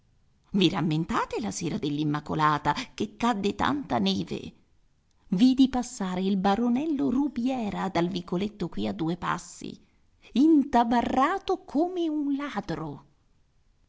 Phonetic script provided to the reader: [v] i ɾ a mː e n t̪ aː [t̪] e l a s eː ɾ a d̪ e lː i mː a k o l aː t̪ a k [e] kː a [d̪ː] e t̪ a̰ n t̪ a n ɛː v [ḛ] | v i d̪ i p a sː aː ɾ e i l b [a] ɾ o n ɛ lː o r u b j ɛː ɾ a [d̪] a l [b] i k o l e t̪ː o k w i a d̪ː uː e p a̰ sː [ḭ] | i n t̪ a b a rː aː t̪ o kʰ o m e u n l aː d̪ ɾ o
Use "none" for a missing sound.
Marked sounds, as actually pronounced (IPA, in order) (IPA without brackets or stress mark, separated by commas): v, t̪, e, d̪ː, ḛ, a, d̪, v, ḭ